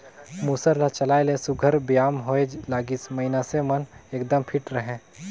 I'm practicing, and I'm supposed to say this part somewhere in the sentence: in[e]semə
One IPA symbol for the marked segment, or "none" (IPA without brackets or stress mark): a